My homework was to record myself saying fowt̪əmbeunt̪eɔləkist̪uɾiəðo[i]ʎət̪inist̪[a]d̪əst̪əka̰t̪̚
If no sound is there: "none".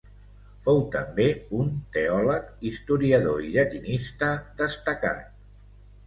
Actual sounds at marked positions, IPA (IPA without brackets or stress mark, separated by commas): i, ə